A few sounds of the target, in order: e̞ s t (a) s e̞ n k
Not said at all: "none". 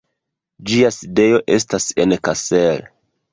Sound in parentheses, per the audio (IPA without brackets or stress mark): a